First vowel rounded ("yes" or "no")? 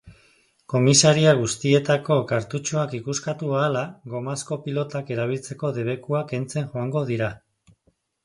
yes